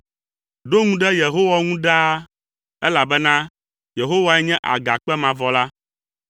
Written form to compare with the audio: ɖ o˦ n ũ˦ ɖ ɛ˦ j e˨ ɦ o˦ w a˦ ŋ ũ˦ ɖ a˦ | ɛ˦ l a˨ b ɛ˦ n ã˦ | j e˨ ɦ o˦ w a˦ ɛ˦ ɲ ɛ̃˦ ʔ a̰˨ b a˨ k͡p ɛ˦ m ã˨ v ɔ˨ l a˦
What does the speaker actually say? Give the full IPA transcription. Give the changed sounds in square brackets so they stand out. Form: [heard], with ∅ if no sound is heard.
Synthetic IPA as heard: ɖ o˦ [ŋ] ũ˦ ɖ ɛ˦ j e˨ ɦ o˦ w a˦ ŋ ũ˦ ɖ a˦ | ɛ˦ l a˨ b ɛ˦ n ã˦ | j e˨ ɦ o˦ w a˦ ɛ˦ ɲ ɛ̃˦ ʔ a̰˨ [ɡ] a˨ k͡p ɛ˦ m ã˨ v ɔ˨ l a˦